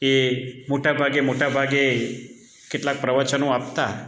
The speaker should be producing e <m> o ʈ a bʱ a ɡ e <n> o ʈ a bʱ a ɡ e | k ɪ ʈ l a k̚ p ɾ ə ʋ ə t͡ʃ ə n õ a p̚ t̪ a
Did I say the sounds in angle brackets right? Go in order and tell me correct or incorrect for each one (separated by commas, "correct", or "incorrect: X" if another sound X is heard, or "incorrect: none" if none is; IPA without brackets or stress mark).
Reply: correct, incorrect: m